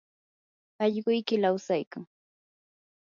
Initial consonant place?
palatal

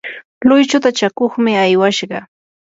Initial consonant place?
alveolar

